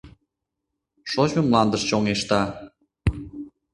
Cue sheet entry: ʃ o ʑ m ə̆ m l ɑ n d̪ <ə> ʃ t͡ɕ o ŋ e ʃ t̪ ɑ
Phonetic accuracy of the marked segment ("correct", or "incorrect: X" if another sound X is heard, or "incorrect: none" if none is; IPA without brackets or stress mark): correct